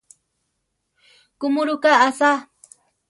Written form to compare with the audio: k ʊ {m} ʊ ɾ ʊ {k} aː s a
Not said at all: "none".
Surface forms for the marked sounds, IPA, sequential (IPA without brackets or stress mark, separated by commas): m, k